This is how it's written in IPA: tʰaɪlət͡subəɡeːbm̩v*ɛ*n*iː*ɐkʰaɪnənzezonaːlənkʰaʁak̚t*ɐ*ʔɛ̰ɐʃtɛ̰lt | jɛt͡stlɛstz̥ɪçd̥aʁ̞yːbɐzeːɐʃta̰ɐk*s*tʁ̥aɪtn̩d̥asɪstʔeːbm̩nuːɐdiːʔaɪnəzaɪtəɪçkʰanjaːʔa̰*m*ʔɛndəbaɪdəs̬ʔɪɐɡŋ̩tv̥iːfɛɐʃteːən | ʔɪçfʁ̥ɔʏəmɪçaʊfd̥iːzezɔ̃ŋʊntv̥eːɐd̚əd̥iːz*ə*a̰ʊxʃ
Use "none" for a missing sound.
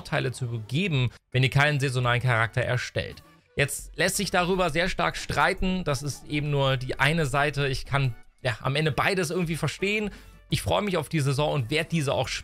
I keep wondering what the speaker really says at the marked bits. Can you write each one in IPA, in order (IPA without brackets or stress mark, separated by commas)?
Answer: ɛ, iː, ɐ, ʃ, m, ə